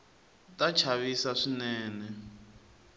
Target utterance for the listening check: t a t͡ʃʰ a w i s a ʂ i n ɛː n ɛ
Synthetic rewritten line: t a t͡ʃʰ a β i s a ʂ i n ɛː n ɛ